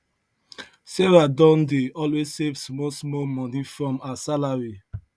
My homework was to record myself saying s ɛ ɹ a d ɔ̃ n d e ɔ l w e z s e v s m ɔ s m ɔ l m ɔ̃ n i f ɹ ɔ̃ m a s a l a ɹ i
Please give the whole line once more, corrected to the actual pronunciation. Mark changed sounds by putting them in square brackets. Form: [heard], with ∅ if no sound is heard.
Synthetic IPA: s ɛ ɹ a d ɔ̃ n d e ɔ l w e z s e v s m ɔ s m ɔ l m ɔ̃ n i f ɹ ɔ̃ m a s a l a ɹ i

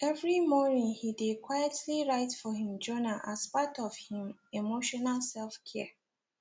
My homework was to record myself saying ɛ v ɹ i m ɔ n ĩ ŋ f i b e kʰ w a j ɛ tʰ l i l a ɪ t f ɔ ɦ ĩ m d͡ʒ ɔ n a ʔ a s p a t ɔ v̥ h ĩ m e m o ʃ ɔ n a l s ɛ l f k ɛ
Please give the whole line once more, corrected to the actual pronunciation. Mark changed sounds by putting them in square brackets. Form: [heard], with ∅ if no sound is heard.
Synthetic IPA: ɛ v ɹ i m ɔ n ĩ ŋ [h] i [d] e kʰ w a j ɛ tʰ l i [ɹ] a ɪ t f ɔ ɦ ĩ m d͡ʒ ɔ n a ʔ a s p a t ɔ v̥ h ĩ m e m o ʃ ɔ n a l s ɛ l f [kʰ] ɛ

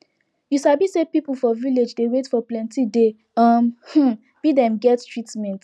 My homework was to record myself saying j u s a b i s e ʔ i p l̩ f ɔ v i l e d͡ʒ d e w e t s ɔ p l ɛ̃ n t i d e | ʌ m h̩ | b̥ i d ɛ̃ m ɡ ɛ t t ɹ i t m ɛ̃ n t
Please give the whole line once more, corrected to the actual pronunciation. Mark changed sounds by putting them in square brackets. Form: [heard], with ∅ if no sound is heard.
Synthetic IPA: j u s a b i s e [p] i p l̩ f ɔ v i l e d͡ʒ d e w e t [f] ɔ p l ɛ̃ n t i d e | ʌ m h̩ | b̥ i d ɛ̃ m ɡ ɛ t t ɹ i t m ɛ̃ n t

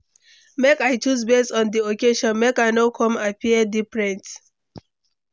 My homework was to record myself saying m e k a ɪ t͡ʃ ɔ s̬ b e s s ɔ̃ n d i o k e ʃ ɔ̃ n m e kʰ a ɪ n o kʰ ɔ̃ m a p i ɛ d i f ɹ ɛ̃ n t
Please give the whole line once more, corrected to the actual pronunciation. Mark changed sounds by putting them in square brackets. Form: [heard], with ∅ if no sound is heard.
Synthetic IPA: m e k a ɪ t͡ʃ [u] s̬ b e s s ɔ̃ n d i o k e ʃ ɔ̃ n m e [k] a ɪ n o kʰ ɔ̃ m a p i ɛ d i f ɹ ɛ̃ n t

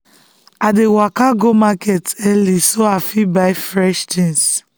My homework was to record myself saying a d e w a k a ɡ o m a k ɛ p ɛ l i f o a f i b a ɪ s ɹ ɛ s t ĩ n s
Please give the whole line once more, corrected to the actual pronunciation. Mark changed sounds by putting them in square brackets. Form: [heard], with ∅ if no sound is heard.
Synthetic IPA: a d e w a k a ɡ o m a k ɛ [t] ɛ l i [s] o a f i b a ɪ [f] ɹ ɛ [ʃ] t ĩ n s

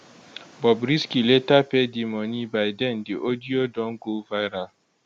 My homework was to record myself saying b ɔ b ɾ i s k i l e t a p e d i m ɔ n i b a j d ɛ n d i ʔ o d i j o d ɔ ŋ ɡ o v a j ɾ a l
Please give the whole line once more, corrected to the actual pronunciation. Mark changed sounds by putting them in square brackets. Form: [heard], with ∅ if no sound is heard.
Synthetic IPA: b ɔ b ɾ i s k i l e t a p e d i m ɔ n i b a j d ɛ n d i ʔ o d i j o d ɔ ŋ ɡ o v a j ɾ a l

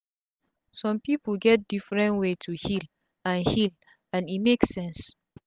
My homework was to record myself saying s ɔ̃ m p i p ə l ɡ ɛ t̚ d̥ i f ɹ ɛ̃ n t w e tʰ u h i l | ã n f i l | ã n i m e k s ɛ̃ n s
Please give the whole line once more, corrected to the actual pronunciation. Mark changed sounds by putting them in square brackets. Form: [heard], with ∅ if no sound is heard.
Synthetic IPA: s ɔ̃ m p i p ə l ɡ ɛ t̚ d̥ i f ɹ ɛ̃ n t w e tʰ u h i l | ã n [h] i l | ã n i m e k s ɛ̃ n s

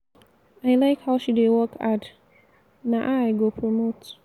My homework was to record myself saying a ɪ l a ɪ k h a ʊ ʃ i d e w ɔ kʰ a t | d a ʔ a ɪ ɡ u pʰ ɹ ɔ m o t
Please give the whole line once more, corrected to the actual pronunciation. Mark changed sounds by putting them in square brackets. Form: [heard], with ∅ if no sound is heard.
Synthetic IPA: a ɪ l a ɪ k h a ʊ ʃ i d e w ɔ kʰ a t | [n] a ʔ a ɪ ɡ [o] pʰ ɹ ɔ m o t

